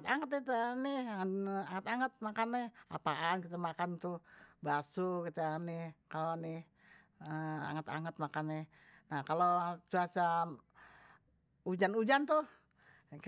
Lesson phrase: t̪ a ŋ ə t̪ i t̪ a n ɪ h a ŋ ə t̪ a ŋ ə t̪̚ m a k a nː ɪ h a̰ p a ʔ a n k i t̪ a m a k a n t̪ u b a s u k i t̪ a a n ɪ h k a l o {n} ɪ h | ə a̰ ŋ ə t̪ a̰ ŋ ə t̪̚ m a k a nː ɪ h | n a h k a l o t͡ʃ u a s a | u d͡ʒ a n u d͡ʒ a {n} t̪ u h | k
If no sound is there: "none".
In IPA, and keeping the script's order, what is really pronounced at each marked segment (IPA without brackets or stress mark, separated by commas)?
n, n